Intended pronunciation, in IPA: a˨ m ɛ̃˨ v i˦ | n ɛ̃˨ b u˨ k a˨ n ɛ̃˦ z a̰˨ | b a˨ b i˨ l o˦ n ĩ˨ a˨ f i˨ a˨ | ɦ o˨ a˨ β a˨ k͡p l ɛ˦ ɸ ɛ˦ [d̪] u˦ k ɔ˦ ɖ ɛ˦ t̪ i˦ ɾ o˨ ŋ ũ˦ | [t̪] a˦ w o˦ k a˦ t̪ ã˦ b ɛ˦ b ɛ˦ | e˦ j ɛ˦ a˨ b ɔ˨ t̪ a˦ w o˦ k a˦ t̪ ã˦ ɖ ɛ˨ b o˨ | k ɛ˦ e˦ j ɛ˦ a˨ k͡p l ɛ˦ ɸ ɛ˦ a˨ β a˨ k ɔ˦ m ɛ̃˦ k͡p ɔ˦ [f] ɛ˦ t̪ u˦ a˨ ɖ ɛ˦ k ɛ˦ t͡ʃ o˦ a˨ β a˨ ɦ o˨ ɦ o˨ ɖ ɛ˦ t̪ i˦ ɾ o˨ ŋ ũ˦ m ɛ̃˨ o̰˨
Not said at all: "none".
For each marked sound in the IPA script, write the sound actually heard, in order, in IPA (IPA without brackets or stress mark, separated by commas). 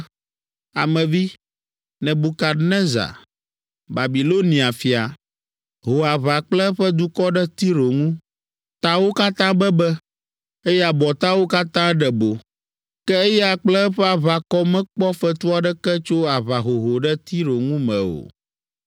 d̪, t̪, f